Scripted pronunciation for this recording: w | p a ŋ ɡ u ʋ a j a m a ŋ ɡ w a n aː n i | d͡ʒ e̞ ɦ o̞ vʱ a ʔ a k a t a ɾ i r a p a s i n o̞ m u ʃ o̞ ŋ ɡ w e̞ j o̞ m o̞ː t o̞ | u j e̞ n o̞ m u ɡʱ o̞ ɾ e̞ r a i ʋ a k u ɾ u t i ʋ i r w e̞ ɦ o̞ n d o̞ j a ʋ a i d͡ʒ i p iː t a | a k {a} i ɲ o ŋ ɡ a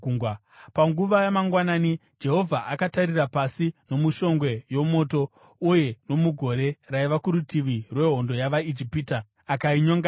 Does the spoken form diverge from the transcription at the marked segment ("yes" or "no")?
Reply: no